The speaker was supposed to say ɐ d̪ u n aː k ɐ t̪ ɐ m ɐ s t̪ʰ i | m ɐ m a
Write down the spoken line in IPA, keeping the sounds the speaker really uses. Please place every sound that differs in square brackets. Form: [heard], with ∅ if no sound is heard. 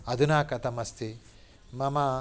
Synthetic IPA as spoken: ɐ d̪ u n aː k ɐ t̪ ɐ m ɐ s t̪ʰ i | m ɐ m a